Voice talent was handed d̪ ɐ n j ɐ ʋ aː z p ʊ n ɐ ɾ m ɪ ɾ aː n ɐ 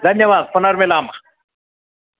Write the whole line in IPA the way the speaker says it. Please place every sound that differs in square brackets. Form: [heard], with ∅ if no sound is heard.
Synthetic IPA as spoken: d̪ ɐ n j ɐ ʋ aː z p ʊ n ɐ ɾ m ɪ [l] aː [m] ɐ

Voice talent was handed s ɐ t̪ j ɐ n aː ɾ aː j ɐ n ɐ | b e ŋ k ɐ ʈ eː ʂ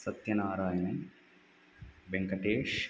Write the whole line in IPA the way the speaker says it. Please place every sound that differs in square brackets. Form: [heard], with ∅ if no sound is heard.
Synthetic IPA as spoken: s ɐ t̪ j ɐ n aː ɾ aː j ɐ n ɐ | b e ŋ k ɐ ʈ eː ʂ

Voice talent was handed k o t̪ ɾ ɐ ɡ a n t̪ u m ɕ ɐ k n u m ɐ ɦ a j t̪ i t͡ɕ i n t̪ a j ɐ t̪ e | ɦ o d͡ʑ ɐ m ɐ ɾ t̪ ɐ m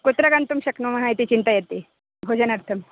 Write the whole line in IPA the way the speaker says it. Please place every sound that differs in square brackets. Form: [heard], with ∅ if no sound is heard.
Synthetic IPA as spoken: k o t̪ ɾ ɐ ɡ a n t̪ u m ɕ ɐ k n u m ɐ ɦ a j t̪ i t͡ɕ i n t̪ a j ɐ t̪ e | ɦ o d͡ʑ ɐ [n] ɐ ɾ [t̪ʰ] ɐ m

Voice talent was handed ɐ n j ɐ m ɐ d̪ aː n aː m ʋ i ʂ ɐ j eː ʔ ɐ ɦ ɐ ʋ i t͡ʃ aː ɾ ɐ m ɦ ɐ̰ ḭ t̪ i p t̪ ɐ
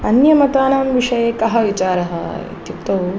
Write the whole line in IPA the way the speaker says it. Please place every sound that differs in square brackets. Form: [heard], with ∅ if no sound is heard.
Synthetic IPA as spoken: ɐ n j ɐ m ɐ [t̪] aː n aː m ʋ i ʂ ɐ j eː [k] ɐ ɦ ɐ ʋ i t͡ʃ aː ɾ ɐ [∅] ɦ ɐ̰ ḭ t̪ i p t̪ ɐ

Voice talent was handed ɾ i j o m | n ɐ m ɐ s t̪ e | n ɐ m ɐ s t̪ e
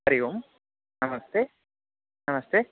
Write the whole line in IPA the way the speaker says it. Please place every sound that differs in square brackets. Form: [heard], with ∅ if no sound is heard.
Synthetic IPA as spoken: ɾ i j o m | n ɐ m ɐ s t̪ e | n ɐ m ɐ s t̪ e

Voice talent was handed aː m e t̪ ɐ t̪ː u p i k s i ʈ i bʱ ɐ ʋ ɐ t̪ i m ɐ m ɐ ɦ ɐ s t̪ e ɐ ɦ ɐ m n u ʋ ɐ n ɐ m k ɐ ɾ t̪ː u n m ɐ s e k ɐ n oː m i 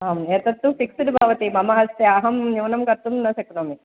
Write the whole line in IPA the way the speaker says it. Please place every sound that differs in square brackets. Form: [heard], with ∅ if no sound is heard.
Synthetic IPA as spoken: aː m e t̪ ɐ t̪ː u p i k s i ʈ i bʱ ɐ ʋ ɐ t̪ i m ɐ m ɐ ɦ ɐ s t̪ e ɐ ɦ ɐ m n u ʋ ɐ n ɐ m k ɐ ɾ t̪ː u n [n] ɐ s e k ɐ n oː m i

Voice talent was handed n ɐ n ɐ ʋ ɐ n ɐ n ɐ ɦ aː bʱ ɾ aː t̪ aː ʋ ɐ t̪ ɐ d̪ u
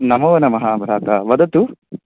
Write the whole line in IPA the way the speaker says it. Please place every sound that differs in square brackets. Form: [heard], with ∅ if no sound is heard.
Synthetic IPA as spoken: n ɐ [m] ɐ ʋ ɐ n ɐ [m] ɐ ɦ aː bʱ ɾ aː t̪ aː ʋ ɐ [d̪] ɐ [t̪] u

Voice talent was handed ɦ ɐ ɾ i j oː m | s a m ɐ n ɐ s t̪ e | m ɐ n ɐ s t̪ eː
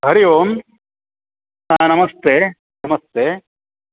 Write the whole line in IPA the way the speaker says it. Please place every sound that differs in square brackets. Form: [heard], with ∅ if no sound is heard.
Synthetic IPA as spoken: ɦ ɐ ɾ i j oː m | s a [n] ɐ [m] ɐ s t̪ e | [n] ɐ [m] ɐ s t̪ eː

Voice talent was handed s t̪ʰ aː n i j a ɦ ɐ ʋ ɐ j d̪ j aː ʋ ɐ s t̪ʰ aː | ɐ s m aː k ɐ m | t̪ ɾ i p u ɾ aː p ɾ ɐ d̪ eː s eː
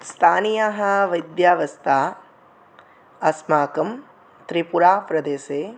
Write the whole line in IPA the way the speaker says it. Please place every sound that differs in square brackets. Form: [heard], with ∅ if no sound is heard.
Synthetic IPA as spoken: s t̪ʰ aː n i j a ɦ ɐ ʋ ɐ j d̪ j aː ʋ ɐ s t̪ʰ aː | ɐ s m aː k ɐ m | t̪ ɾ i p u ɾ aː p ɾ ɐ d̪ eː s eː

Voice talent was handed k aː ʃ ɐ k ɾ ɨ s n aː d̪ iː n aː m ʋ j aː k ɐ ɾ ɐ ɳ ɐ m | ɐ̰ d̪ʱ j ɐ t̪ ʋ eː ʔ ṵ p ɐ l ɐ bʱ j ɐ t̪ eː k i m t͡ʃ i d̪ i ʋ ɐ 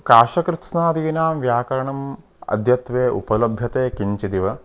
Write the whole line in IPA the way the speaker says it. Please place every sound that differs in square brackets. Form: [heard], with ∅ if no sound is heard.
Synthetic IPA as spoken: k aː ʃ ɐ k ɾ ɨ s n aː d̪ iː n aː m ʋ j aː k ɐ ɾ ɐ ɳ ɐ m | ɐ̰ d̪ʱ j ɐ t̪ ʋ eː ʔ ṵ p ɐ l ɐ bʱ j ɐ t̪ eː k i [ɲ] t͡ʃ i d̪ i ʋ ɐ

